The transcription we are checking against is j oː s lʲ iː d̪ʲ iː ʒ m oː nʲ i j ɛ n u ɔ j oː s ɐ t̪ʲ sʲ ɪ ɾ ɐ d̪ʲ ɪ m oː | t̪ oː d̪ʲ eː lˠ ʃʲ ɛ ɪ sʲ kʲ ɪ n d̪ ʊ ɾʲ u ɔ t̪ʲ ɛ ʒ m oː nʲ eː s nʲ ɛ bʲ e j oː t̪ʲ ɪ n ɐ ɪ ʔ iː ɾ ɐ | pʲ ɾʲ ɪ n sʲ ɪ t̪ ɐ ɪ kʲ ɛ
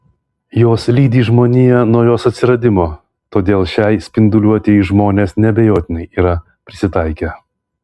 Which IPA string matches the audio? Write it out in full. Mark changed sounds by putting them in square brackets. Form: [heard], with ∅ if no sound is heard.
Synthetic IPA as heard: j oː s lʲ iː d̪ʲ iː ʒ m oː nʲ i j ɛ n u ɔ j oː s ɐ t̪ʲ sʲ ɪ ɾ ɐ d̪ʲ ɪ m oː | t̪ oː d̪ʲ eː lˠ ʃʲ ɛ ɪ sʲ [pʲ] ɪ n d̪ ʊ [lʲ] u ɔ t̪ʲ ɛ ʒ m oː nʲ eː s nʲ ɛ bʲ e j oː t̪ʲ ɪ n ɐ ɪ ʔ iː ɾ ɐ | pʲ ɾʲ ɪ [∅] sʲ ɪ t̪ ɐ ɪ kʲ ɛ